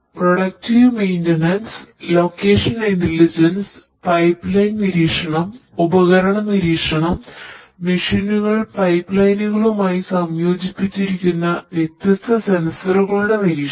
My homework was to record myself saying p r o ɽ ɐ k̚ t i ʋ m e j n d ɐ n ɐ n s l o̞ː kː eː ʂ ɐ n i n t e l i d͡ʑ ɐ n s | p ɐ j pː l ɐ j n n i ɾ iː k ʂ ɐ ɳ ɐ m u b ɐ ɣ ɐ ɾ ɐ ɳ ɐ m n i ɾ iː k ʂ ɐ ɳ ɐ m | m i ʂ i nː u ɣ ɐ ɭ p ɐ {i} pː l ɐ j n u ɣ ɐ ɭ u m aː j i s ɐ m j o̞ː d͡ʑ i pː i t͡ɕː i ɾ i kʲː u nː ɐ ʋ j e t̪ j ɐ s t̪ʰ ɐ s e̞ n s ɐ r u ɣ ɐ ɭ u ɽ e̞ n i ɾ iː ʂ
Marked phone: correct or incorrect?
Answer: incorrect